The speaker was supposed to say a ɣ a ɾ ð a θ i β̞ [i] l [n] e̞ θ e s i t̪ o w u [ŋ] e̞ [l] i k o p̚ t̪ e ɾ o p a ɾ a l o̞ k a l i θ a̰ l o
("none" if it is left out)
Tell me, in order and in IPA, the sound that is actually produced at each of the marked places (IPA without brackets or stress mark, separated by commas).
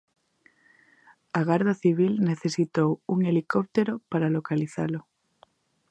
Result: i, n, ŋ, l